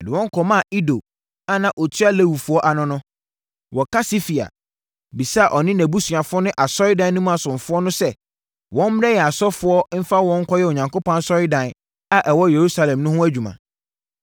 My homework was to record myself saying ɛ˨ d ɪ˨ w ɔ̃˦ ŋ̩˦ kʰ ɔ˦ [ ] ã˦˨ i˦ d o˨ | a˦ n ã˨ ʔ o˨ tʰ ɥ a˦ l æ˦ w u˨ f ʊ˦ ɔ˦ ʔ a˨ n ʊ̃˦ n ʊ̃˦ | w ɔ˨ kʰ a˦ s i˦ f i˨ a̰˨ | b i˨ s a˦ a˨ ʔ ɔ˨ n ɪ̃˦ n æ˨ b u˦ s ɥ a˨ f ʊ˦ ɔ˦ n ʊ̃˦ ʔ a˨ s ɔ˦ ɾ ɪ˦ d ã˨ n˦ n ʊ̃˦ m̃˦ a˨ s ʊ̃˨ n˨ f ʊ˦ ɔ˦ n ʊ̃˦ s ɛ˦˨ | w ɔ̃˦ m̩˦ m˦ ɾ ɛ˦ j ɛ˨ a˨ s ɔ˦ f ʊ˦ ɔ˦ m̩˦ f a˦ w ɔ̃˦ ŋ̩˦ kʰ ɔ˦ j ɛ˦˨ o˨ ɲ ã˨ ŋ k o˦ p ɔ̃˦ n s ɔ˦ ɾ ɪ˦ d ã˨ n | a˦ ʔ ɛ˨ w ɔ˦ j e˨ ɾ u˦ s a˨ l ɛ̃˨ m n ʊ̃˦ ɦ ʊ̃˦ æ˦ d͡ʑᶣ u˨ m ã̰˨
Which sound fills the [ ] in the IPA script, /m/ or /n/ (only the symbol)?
m